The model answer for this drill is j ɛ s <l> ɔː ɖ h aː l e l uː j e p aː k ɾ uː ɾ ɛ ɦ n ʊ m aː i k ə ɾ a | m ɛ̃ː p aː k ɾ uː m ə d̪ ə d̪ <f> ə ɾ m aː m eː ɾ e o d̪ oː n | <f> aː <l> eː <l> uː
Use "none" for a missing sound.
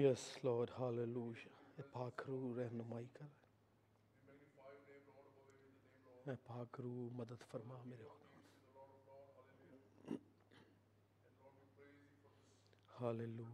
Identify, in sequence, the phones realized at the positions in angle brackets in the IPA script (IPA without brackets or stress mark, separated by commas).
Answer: l, f, h, l, l